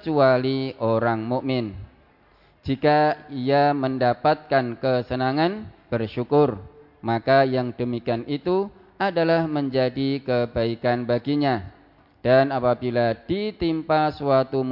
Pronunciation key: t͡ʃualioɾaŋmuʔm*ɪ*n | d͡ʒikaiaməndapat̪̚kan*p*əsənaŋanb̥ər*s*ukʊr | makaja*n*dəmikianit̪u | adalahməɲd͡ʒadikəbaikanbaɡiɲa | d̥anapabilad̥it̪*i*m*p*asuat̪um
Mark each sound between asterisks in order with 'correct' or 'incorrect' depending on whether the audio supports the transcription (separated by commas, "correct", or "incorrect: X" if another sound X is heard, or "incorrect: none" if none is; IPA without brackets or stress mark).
correct, incorrect: k, incorrect: ʃ, incorrect: ŋ, correct, correct